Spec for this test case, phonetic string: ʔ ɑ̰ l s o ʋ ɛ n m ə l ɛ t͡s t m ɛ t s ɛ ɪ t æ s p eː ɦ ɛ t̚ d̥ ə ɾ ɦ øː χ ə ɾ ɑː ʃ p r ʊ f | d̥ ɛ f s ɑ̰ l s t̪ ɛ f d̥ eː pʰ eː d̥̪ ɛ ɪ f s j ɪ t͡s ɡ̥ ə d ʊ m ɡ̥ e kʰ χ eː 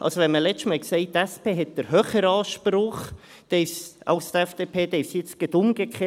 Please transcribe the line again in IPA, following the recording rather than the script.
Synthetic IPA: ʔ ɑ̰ l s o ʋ ɛ n m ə l ɛ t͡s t m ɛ k s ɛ ɪ t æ s p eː ɦ ɛ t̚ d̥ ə ɾ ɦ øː χ ə ɾ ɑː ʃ p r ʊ χ | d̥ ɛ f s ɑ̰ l s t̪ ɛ f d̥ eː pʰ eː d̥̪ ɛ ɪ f s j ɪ t͡s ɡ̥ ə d ʊ m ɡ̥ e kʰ χ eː